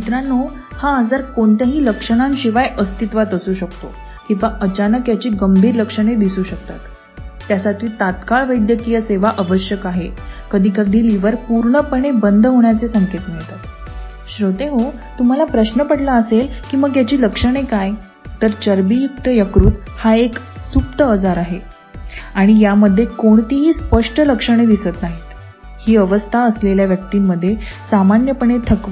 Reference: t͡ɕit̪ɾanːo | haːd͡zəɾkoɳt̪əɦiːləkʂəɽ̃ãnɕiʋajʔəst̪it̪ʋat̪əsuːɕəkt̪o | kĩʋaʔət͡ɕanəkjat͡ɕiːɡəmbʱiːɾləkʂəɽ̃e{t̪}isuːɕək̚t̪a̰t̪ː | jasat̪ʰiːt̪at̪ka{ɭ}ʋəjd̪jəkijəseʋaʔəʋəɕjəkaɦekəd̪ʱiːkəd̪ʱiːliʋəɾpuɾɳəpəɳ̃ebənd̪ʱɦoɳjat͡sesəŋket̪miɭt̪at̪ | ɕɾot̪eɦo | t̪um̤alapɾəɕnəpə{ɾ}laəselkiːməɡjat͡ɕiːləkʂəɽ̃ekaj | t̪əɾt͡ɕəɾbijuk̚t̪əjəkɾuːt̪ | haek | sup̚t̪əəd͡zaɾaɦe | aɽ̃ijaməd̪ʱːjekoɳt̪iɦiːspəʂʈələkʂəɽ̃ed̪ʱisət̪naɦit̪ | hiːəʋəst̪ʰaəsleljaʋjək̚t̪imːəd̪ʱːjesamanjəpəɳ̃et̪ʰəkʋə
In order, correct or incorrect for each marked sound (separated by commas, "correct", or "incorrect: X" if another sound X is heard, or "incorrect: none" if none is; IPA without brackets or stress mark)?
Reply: incorrect: d̪, correct, incorrect: ɽ